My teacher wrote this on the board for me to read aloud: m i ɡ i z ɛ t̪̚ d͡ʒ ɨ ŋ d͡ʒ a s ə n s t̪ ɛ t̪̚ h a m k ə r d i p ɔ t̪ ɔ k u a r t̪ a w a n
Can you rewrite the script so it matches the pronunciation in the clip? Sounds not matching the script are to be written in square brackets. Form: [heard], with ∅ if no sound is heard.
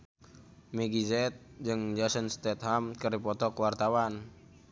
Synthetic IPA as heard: m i ɡ i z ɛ t̪̚ d͡ʒ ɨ ŋ d͡ʒ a s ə n s t̪ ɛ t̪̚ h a m k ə r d i p ɔ t̪ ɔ k [w] a r t̪ a w a n